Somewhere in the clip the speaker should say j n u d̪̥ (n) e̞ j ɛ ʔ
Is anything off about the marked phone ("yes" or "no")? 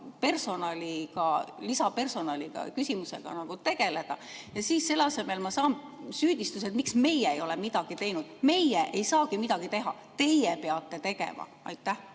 yes